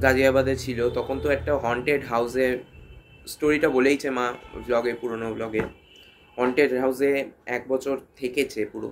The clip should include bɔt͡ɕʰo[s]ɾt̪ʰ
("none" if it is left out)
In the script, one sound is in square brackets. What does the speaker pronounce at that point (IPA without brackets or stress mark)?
none